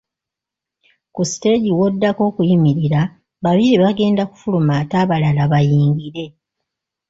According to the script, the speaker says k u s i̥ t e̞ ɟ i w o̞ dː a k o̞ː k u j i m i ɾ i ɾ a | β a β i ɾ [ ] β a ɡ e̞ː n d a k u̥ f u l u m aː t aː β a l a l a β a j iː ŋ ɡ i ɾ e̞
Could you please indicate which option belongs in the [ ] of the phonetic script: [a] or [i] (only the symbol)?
i